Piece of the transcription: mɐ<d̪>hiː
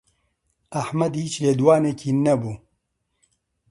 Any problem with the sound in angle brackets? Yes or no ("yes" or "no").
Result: no